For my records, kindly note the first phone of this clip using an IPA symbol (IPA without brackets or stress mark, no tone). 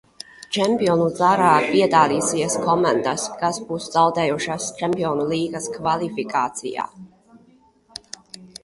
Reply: t͡ʃ